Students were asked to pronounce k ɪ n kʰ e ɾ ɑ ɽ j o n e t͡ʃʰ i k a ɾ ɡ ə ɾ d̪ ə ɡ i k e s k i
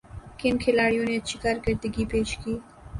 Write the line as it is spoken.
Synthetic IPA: k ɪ n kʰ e l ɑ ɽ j o n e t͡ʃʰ i k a ɾ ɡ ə ɾ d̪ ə ɡ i p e ʃ k i